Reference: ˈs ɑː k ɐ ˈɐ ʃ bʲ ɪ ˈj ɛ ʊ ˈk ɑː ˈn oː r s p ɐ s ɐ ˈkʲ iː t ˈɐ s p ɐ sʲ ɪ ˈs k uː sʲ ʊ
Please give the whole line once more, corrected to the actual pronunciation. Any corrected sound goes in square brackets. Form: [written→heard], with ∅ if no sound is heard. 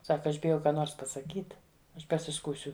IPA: ˈs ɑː k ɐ ˈɐ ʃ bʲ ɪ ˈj ɛ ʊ ˈk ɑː ˈn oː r s p ɐ s ɐ ˈkʲ iː t ˈɐ [s→ʃ] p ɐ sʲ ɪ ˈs k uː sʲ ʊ